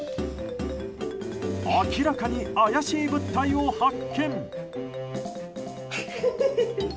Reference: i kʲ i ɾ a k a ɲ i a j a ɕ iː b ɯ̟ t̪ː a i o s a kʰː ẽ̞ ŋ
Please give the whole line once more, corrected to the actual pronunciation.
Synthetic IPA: a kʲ i ɾ a k a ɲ i a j a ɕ iː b ɯ̟ t̪ː a i o h a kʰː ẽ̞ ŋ